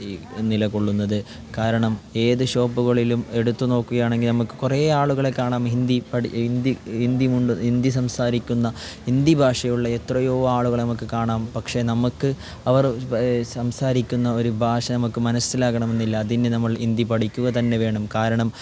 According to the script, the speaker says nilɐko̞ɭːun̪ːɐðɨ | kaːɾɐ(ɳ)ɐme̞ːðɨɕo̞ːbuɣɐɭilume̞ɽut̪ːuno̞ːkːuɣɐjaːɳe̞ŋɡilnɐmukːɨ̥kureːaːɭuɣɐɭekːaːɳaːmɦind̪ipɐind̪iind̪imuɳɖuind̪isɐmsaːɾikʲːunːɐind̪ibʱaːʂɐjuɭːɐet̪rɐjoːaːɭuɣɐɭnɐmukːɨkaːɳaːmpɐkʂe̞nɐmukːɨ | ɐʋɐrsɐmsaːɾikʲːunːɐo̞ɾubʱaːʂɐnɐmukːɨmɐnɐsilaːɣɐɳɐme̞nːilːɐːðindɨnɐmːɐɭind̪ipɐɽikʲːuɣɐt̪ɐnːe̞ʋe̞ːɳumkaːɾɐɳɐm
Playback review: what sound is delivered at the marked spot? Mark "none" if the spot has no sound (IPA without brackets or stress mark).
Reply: ɳ